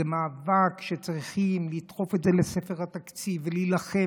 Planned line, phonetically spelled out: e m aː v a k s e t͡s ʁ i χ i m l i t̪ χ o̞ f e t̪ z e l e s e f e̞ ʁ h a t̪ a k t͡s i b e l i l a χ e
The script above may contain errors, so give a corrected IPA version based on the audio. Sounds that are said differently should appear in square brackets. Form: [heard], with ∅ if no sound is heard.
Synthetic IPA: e m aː v a k [ʃ] e t͡s ʁ i χ i m l i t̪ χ o̞ f e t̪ z e l e s e f e̞ ʁ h a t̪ a k t͡s i [v] e l i l a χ e

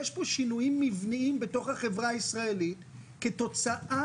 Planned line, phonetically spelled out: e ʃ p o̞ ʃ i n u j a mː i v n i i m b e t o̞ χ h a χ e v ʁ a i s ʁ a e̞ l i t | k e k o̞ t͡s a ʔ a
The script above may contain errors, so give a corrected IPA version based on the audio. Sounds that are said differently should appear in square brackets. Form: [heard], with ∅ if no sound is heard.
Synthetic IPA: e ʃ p o̞ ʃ i n u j [i] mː i v n i i m b e t o̞ χ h a χ e v ʁ a i s ʁ a e̞ l i t | k e [t] o̞ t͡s a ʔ a

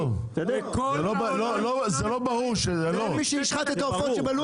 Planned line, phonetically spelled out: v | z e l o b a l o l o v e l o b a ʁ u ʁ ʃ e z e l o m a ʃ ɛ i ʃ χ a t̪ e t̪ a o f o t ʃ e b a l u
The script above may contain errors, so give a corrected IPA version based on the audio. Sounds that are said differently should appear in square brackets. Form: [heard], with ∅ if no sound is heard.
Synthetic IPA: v | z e l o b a l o l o [z] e l o b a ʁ u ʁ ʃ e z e l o m [i] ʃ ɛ i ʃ χ a t̪ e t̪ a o f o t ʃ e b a l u

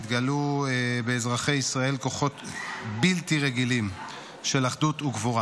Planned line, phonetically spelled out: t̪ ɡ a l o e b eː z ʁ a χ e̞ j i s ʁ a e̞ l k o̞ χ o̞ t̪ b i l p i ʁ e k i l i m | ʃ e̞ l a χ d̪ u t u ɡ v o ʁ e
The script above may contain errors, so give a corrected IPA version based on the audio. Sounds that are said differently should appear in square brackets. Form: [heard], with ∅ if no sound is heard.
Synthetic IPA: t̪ ɡ a l [u] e b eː z ʁ a χ e̞ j i s ʁ a e̞ l k o̞ χ o̞ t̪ b i l [t] i ʁ e [ɡ] i l i m | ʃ e̞ l a χ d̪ u t u ɡ v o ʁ [a]

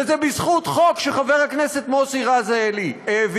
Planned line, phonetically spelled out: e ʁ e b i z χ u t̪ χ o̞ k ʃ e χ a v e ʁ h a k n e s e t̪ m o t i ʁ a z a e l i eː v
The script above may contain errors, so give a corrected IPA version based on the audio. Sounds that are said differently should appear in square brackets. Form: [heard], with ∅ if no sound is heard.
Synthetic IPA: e [z] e b i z χ u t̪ χ o̞ k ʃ e χ a v e ʁ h a k n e s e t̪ m o [s] i ʁ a z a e l i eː v

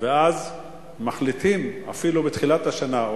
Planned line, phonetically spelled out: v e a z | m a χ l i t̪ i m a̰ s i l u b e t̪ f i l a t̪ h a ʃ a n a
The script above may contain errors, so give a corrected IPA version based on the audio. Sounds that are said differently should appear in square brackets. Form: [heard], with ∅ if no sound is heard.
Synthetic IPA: v e a z | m a χ l i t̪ i m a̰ [f] i l u b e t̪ [χ] i l a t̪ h a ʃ a n a

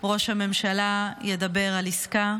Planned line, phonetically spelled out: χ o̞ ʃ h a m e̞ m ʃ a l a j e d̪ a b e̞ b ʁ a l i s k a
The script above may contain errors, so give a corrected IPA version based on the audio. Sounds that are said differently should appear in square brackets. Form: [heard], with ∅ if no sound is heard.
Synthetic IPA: [ʁ] o̞ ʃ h a m e̞ m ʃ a l a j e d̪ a b e̞ [∅] ʁ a l i s k a

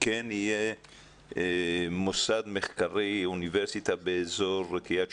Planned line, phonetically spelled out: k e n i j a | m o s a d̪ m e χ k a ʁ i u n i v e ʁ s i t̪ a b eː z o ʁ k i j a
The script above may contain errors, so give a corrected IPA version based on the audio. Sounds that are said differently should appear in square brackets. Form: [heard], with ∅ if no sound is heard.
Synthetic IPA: k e n i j [e] | m o s a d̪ m e χ k a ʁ i u n i v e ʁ s i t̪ a b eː z o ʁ k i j a

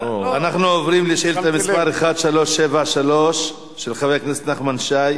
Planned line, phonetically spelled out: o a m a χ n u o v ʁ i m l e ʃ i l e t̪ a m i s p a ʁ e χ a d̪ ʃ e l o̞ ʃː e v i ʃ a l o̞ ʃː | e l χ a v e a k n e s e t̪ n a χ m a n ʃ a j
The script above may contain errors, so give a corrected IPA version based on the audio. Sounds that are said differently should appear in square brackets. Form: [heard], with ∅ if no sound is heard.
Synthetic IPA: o a [n] a χ n u o v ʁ i m l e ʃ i l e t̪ a m i s p a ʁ e χ a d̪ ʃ [a] l o̞ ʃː e v [a] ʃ a l o̞ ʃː | e l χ a v e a k n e s e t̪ n a χ m a n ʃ a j

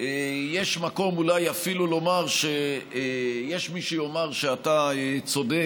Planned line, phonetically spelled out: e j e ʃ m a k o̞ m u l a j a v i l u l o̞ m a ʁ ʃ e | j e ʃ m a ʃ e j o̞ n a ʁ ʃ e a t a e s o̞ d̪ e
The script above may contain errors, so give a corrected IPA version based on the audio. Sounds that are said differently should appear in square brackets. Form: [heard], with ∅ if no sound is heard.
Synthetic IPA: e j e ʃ m a k o̞ m u l a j a [f] i l u l o̞ m a ʁ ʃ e | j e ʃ m [i] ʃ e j o̞ [m] a ʁ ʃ e a t a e [t͡s] o̞ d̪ e

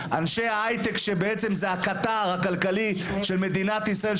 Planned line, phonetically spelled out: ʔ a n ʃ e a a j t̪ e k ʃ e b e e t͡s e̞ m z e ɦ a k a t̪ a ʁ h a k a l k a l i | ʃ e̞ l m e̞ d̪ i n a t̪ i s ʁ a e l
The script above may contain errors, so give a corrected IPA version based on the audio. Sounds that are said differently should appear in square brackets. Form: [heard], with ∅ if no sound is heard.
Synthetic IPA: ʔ a n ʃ e a a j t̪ e k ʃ e b e e t͡s e̞ m z e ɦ a k a t̪ a ʁ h a k a l k a l i | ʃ e̞ l m e̞ d̪ i n a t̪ i s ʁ a e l

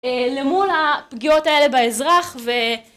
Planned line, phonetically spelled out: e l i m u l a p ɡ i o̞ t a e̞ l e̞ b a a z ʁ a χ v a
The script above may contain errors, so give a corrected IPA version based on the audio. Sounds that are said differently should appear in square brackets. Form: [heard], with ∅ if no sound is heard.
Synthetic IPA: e l [e] m u l a p ɡ i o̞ t a e̞ l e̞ b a [e] z ʁ a χ v [e]

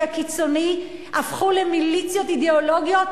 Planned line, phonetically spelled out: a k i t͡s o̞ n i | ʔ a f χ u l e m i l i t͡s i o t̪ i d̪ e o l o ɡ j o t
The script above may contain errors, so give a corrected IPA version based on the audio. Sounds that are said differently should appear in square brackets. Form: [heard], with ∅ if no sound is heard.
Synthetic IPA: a k i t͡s o̞ n i | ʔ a f χ u l e m i l i t͡s [j] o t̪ i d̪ e o l o ɡ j o t

